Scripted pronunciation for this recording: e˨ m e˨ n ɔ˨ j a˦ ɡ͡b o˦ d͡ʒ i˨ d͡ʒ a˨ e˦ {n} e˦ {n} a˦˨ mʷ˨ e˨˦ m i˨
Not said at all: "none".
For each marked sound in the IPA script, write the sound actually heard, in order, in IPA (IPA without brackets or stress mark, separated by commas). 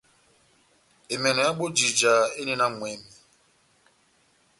n, n